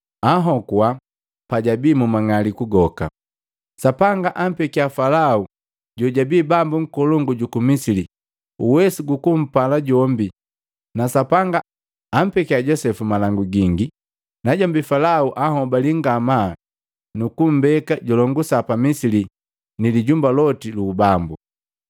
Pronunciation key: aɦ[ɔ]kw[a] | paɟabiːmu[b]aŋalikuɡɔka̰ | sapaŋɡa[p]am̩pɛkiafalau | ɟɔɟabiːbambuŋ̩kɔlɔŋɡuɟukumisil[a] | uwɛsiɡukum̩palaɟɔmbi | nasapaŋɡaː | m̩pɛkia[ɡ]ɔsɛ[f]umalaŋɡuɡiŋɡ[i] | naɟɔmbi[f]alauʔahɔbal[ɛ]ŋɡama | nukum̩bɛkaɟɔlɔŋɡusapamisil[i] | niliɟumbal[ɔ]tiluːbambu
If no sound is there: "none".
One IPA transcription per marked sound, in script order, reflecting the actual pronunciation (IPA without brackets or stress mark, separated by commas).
ɔ, a, m, ʔ, i, ɟ, f, i, f, i, i, ɔ